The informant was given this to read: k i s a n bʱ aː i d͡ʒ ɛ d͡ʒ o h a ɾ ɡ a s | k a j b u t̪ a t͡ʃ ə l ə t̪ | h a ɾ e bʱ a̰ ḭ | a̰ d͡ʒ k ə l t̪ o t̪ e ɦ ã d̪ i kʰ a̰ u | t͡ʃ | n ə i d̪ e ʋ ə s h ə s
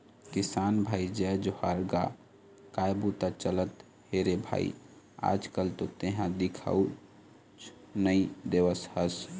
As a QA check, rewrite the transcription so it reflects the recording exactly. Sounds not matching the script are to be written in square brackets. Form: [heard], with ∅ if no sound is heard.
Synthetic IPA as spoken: k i s a n bʱ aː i d͡ʒ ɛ d͡ʒ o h a ɾ ɡ a [∅] | k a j b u t̪ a t͡ʃ ə l ə t̪ | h [e] ɾ e bʱ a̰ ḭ | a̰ d͡ʒ k ə l t̪ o t̪ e ɦ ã d̪ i kʰ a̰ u | t͡ʃ | n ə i d̪ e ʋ ə s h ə s